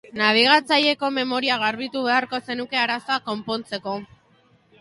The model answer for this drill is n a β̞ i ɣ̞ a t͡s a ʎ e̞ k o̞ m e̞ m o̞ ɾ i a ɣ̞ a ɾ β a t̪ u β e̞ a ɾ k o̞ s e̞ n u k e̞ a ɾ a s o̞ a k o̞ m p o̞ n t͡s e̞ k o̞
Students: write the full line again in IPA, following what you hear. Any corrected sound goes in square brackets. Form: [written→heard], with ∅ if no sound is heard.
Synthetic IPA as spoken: n a β̞ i ɣ̞ a t͡s a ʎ e̞ k o̞ m e̞ m o̞ ɾ i a ɣ̞ a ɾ β [a→i] t̪ u β e̞ a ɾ k o̞ s e̞ n u k e̞ a ɾ a s o̞ a k o̞ m p o̞ n t͡s e̞ k o̞